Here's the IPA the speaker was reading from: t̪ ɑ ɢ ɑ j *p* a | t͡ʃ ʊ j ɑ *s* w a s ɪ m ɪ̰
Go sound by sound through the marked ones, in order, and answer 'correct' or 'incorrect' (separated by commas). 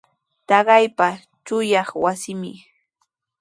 correct, incorrect